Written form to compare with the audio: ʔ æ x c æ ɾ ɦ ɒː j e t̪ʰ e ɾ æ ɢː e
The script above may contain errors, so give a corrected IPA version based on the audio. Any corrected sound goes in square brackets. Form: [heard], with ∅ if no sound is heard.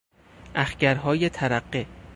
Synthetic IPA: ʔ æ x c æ ɾ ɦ ɒː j e t̪ʰ [æ] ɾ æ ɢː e